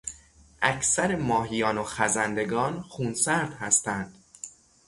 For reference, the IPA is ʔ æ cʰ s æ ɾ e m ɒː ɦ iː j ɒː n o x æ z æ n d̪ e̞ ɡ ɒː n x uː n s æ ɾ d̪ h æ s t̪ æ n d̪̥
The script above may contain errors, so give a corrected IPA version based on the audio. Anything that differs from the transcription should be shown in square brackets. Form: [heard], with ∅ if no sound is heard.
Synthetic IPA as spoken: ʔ æ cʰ s æ ɾ e m ɒː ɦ [i] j ɒː n o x æ z æ n d̪ e̞ ɡ ɒː n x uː n s æ ɾ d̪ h æ s t̪ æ n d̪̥